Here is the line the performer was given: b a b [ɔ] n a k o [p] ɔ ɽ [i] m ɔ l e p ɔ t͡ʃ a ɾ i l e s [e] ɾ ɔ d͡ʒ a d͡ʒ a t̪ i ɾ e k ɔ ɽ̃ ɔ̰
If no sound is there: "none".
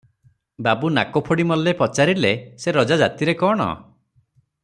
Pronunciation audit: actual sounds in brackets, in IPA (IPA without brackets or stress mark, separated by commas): u, pʰ, i, e